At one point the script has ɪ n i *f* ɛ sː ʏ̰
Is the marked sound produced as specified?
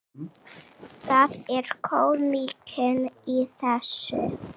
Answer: no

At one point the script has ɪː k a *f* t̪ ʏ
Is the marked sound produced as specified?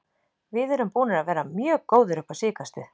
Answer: no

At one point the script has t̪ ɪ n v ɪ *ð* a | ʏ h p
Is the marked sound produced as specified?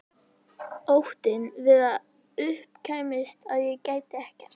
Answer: yes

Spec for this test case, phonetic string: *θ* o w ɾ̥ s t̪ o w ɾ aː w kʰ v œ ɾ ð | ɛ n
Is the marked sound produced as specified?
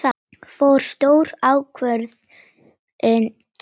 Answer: no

